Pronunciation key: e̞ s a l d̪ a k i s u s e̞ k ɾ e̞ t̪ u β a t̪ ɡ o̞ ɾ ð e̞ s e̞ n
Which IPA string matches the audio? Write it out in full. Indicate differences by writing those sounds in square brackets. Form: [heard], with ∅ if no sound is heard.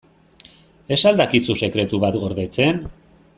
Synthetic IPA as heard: e̞ s a l d̪ a k i s u s e̞ k ɾ e̞ t̪ u β a t̪ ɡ o̞ ɾ ð e̞ [t͡s] e̞ n